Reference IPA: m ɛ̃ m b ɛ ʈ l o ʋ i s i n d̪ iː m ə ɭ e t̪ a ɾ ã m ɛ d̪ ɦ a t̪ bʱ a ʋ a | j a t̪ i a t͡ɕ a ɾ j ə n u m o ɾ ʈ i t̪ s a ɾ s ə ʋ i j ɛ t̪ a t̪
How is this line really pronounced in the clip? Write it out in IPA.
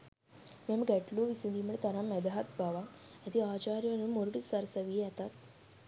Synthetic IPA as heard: m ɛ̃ m ɡ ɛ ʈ l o ʋ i s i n d̪ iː m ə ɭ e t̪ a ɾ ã m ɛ d̪ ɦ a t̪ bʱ a ʋ a | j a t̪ i a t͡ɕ a ɾ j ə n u m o ɾ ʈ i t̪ s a ɾ s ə ʋ i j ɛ t̪ a t̪